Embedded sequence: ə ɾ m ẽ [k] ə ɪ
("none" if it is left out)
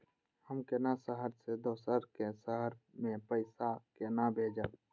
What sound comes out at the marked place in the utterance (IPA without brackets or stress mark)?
p